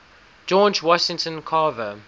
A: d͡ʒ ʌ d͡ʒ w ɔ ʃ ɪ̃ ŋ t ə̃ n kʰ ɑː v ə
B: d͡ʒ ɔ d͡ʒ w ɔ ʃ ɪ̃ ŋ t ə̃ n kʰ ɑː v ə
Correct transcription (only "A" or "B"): B